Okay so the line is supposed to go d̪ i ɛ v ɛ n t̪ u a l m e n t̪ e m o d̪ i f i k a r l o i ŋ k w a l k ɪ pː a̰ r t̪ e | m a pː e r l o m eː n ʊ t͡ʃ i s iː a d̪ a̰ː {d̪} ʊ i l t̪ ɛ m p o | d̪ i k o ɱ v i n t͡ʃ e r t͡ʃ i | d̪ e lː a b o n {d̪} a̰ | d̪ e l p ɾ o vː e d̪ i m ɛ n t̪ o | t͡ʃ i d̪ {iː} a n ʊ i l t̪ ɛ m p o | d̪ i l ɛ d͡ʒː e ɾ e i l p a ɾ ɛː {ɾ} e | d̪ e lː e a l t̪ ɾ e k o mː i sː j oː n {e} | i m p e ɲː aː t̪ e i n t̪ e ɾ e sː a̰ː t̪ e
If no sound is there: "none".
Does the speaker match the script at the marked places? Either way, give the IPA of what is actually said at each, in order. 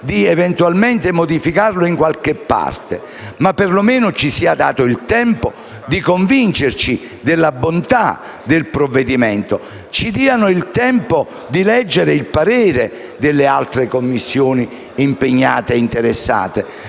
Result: t̪, t̪, iː, ɾ, i

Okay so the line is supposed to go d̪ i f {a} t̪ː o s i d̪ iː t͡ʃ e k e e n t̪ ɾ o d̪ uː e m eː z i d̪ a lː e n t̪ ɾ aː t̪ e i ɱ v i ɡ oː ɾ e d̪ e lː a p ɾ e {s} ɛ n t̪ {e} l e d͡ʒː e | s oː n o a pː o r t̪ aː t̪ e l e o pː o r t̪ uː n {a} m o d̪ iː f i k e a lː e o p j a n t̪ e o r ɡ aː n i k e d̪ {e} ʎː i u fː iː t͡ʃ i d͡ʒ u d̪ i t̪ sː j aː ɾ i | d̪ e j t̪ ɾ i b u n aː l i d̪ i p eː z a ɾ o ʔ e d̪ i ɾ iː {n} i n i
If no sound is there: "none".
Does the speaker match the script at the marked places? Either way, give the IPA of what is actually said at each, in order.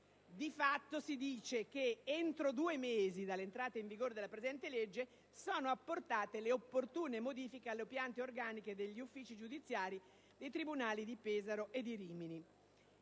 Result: a, z, e, e, e, m

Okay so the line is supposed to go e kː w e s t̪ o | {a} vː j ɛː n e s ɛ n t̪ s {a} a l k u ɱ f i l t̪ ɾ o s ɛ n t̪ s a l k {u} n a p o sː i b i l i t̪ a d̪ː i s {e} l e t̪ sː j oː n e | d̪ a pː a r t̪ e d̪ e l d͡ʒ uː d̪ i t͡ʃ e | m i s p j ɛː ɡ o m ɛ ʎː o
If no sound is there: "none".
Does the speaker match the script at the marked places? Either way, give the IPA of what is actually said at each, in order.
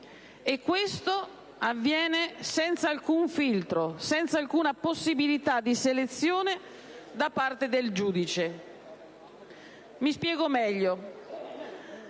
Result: a, a, uː, e

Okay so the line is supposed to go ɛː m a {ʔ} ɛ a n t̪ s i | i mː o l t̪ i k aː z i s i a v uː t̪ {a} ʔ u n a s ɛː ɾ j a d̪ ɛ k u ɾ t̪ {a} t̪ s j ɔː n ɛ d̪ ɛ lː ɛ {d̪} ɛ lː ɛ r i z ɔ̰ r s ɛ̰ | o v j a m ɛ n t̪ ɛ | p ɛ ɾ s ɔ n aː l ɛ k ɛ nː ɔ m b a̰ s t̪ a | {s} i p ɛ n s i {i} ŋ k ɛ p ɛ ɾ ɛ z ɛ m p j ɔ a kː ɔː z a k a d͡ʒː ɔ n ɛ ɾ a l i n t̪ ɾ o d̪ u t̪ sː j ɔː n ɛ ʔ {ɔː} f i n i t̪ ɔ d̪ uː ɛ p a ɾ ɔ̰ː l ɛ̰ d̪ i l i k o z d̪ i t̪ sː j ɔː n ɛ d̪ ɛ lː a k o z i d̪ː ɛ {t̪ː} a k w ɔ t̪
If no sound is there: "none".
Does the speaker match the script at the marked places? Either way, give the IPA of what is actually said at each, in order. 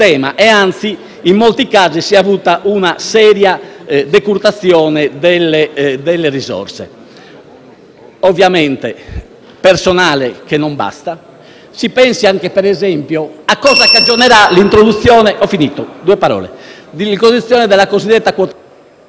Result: ʔ, a, a, d̪, s, a, ɔ, t̪ː

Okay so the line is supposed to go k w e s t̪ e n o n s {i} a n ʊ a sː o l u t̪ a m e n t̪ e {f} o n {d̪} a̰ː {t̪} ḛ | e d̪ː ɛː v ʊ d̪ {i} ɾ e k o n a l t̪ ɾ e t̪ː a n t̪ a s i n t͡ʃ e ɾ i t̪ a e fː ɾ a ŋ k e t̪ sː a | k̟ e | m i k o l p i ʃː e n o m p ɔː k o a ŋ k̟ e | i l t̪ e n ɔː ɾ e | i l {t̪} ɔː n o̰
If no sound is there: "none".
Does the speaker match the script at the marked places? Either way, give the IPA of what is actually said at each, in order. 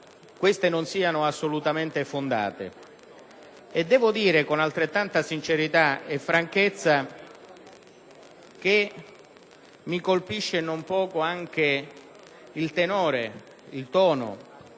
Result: iː, f, d̪, t̪, iː, t̪

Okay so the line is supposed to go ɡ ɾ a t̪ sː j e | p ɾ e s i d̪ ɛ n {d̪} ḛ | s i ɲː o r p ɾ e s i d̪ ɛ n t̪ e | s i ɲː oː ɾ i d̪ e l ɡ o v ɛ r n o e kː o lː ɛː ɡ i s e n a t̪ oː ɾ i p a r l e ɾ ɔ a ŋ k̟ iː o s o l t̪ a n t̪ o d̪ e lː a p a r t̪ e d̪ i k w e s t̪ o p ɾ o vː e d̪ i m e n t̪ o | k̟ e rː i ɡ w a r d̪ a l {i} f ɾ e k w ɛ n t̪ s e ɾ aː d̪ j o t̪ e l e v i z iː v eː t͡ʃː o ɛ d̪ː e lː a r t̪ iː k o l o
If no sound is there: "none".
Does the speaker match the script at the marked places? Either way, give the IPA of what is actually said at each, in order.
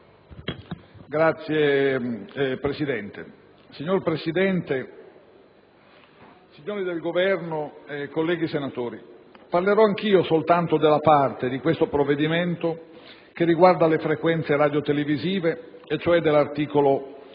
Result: t̪, e

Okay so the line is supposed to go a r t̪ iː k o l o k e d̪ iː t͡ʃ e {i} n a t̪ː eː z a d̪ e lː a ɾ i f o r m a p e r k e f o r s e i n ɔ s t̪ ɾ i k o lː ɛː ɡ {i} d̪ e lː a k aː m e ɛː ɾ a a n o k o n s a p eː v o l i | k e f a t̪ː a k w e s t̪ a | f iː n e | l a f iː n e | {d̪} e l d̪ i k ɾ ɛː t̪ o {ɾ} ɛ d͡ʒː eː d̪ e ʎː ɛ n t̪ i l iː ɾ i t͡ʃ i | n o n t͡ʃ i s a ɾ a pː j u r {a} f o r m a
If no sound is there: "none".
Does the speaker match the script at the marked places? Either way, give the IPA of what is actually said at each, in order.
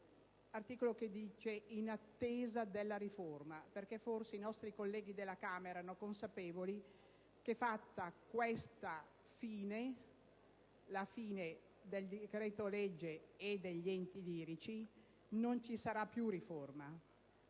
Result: i, i, d̪, l, i

